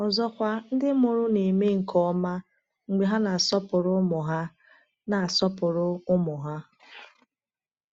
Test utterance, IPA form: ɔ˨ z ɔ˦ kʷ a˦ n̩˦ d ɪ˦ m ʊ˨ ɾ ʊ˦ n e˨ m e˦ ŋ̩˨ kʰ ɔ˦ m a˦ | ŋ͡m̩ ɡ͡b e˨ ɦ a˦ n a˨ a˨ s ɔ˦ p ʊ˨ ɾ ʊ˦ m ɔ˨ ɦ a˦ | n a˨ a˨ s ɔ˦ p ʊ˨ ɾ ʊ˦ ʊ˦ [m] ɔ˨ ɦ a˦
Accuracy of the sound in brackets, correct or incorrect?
correct